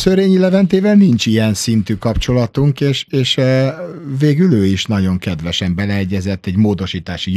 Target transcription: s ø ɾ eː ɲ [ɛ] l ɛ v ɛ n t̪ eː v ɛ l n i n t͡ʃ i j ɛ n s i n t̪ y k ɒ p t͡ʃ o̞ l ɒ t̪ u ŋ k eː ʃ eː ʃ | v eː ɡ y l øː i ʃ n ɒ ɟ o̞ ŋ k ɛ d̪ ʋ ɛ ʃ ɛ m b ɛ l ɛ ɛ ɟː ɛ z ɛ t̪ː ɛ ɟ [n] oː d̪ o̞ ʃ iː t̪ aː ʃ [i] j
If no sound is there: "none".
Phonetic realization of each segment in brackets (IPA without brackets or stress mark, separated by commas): i, m, i